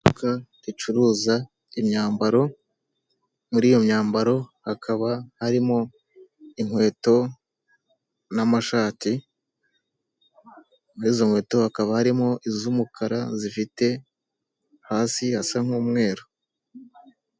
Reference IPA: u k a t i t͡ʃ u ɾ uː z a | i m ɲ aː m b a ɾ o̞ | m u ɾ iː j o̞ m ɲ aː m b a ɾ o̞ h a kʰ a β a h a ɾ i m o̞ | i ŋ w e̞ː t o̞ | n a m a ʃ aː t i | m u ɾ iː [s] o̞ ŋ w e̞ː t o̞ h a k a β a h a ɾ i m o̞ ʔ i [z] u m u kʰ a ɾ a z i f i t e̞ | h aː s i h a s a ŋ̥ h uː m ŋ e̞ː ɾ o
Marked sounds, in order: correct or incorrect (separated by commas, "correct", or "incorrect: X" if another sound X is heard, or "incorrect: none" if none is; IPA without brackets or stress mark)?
incorrect: z, correct